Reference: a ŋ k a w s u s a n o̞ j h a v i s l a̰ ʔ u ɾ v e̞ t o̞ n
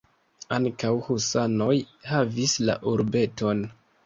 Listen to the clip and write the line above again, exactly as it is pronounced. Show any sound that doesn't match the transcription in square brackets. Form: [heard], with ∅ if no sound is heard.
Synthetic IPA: a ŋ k a w [h] u s a n o̞ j h a v i s l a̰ ʔ u ɾ [b] e̞ t o̞ n

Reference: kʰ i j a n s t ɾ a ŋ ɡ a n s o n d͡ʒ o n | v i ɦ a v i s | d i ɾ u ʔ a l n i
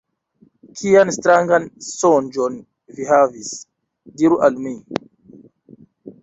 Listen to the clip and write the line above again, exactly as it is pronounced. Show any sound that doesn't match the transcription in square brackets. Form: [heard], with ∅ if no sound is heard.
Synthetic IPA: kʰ i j a n s t ɾ a ŋ ɡ a n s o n d͡ʒ o n | v i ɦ a v i s | d i ɾ u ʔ a l [m] i

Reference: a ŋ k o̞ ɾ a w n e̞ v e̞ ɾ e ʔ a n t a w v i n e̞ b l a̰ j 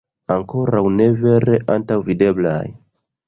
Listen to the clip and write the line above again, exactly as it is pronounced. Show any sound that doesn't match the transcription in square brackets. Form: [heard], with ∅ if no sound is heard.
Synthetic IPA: a ŋ k o̞ ɾ a w n e̞ v e̞ ɾ e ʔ a n t a w v i [d] e̞ b l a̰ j

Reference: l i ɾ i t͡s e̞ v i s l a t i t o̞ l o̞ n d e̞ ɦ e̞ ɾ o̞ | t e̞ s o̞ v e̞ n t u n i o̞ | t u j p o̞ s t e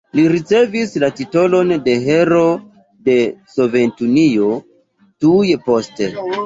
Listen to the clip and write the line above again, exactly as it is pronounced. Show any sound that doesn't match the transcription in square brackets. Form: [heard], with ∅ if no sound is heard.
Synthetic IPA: l i ɾ i t͡s e̞ v i s l a t i t o̞ l o̞ n d e̞ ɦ e̞ ɾ o̞ | [d] e̞ s o̞ v e̞ n t u n i o̞ | t u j p o̞ s t e

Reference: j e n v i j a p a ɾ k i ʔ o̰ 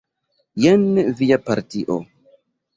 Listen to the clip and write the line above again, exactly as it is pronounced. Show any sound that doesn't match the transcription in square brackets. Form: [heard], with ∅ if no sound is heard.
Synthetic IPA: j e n v i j a p a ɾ [t] i ʔ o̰

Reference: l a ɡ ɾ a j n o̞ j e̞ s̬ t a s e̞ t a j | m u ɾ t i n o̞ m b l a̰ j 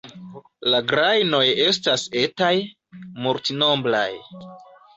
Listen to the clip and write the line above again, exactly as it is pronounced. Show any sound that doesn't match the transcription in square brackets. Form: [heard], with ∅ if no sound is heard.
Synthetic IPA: l a ɡ ɾ a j n o̞ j e̞ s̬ t a s e̞ t a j | m u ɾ t i n o̞ m b l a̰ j

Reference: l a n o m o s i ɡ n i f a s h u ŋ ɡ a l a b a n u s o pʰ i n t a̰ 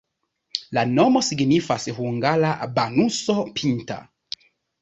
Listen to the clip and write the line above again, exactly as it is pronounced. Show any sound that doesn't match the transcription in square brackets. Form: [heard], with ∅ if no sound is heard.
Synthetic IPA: l a n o m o s i ɡ n i f a s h u ŋ ɡ a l a b a n u s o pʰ i n t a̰

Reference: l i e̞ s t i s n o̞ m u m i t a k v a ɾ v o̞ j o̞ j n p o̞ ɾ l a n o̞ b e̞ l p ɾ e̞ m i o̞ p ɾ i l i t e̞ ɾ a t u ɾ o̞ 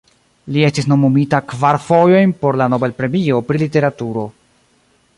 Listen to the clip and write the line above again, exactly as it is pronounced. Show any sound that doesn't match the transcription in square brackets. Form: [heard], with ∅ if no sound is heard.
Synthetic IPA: l i e̞ s t i s n o̞ m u m i t a k v a ɾ [f] o̞ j o̞ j n p o̞ ɾ l a n o̞ b e̞ l p ɾ e̞ m i o̞ p ɾ i l i t e̞ ɾ a t u ɾ o̞

